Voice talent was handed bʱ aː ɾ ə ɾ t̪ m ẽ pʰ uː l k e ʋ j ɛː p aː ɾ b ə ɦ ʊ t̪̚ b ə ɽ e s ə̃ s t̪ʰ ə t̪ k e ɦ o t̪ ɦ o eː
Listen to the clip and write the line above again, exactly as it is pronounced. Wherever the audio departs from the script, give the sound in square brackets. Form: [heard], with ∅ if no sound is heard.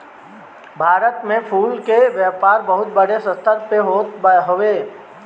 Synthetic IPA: bʱ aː ɾ ə [∅] t̪ m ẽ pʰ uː l k e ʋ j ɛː p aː ɾ b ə ɦ ʊ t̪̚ b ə ɽ e s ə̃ s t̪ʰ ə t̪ [p] e ɦ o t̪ ɦ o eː